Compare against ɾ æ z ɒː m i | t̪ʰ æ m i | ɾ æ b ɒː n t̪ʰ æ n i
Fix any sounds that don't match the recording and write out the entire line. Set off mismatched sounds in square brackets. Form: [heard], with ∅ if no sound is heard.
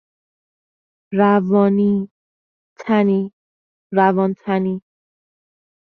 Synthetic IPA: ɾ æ [v] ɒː [n] i | t̪ʰ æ [n] i | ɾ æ [v] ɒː n t̪ʰ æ n i